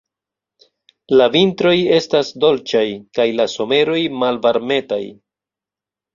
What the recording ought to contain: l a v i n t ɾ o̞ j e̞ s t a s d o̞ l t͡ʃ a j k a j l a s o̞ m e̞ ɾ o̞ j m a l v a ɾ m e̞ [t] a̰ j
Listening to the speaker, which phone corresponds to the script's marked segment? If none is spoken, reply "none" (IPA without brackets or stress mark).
t